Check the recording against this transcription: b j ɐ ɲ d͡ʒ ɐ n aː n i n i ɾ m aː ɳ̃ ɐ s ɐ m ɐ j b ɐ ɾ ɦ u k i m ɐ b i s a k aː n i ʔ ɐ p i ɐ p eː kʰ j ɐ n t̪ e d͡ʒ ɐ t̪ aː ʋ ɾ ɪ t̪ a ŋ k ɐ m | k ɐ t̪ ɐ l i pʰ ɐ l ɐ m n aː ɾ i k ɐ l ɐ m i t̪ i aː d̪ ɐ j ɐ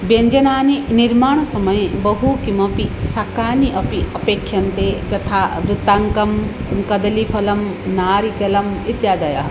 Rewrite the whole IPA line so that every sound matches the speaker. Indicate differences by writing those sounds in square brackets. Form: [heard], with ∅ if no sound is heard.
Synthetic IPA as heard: b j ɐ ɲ d͡ʒ ɐ n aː n i n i ɾ m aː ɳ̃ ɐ s ɐ m ɐ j b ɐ [∅] ɦ u k i m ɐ [p] i s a k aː n i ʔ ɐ p i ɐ p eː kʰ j ɐ n t̪ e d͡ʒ ɐ [t̪ʰ] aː ʋ ɾ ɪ t̪ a ŋ k ɐ m | k ɐ [d̪] ɐ l i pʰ ɐ l ɐ m n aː ɾ i k ɐ l ɐ m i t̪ [j] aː d̪ ɐ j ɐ